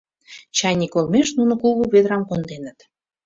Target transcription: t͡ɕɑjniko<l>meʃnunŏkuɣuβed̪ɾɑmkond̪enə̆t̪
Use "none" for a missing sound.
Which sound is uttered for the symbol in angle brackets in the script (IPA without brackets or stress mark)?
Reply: l